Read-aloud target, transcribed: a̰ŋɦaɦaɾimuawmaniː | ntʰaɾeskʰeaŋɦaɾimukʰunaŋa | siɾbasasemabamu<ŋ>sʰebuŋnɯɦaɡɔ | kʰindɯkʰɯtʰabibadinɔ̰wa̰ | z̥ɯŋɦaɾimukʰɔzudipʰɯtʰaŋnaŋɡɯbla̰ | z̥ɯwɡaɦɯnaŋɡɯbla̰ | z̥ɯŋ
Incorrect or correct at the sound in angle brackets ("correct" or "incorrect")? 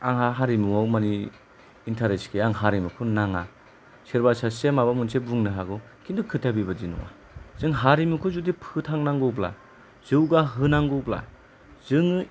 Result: incorrect